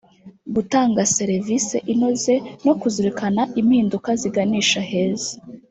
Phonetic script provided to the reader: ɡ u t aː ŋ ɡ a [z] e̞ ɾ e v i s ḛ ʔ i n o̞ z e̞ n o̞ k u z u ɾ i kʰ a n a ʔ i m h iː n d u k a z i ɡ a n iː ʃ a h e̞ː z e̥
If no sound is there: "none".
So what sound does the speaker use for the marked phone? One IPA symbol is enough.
s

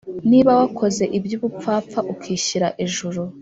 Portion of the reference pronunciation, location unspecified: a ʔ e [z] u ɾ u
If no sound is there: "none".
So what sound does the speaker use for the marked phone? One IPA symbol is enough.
ʒ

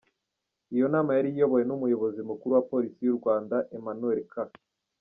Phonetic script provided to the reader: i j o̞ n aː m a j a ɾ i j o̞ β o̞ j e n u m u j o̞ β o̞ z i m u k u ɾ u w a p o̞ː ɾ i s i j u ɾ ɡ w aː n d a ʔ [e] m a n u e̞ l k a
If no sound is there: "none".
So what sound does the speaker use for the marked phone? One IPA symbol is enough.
e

